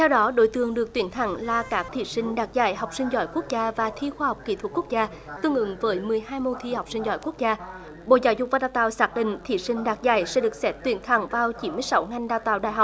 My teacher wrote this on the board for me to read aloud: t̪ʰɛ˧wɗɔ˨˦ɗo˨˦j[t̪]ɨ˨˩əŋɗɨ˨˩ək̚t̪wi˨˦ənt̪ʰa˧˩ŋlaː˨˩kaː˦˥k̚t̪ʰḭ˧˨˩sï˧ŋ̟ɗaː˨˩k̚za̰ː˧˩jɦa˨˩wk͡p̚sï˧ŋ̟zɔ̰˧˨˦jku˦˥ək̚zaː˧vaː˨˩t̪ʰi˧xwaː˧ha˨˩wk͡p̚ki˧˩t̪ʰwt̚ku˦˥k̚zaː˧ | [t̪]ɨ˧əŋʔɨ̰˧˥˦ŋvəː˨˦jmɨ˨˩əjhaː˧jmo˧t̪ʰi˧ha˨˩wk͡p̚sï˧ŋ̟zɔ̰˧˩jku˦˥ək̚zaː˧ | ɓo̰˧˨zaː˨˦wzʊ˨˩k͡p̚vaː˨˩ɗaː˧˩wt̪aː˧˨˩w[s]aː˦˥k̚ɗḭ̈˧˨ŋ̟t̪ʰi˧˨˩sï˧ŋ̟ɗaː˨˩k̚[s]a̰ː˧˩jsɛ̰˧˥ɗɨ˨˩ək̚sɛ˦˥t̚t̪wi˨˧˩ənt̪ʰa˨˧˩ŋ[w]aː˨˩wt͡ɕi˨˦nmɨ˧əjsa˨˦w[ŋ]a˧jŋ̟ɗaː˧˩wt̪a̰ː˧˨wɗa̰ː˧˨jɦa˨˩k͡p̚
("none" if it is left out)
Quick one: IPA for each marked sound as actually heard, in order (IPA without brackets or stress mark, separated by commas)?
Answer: t̪, t̪, s, z, v, ŋ